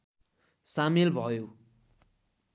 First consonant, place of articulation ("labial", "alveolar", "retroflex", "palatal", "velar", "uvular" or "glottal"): alveolar